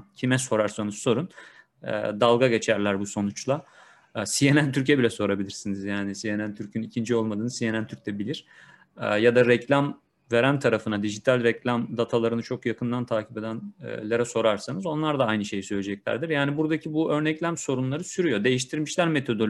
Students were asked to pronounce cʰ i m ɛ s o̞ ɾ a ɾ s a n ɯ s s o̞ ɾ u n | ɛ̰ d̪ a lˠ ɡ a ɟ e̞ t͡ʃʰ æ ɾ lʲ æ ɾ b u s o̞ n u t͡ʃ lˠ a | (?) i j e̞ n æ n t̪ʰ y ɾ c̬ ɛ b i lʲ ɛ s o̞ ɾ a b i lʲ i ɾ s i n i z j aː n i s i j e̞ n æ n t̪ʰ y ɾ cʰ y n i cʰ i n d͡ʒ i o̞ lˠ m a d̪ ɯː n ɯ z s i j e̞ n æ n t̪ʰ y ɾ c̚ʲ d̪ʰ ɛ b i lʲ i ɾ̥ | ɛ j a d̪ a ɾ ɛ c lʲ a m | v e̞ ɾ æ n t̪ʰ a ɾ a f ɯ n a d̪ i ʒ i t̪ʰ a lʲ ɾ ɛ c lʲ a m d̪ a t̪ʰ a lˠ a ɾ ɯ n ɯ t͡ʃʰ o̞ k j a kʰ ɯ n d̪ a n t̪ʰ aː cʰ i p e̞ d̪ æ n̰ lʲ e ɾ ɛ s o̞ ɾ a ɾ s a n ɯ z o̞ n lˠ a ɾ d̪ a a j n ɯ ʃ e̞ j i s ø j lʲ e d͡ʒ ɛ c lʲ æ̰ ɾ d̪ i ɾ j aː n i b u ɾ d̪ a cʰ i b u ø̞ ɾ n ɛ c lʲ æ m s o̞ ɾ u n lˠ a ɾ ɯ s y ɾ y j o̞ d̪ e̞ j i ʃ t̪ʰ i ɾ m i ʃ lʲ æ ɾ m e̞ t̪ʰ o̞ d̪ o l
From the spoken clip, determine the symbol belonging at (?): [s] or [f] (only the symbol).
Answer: s